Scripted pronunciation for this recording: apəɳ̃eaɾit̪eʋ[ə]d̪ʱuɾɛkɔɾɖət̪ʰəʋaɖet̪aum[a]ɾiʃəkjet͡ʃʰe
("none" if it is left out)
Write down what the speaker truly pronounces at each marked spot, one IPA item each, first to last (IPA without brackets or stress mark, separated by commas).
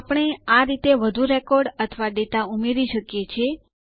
ə, e